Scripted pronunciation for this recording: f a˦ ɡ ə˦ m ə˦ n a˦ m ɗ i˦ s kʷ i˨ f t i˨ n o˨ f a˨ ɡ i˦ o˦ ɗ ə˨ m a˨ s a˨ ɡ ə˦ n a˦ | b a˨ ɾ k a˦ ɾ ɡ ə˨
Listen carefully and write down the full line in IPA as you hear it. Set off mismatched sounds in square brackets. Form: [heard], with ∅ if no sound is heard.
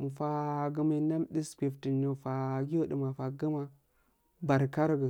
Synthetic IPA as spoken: f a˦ ɡ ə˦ m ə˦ n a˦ m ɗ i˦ s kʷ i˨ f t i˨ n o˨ f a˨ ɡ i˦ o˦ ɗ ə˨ m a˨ [f] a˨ ɡ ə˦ [m] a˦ | b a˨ ɾ k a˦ ɾ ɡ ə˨